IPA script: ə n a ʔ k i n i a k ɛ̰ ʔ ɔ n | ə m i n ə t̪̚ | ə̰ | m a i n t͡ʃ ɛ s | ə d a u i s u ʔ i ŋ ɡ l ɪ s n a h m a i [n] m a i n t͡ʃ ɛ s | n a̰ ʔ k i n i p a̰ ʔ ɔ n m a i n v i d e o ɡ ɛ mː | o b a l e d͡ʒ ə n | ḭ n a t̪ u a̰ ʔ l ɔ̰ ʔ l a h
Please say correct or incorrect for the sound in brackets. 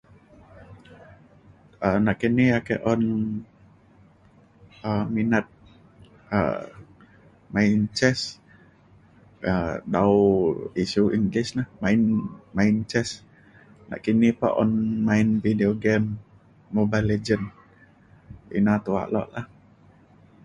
correct